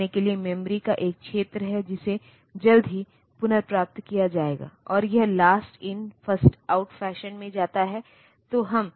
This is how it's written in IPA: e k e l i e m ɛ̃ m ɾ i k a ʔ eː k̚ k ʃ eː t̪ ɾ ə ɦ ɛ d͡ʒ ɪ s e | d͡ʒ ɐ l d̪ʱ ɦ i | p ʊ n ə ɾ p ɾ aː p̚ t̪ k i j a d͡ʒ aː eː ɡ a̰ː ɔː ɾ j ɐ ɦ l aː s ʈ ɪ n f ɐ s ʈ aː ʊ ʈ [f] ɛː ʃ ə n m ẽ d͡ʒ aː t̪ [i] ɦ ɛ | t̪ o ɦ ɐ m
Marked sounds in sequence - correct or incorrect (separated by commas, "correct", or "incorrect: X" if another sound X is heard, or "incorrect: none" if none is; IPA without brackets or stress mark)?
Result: correct, incorrect: a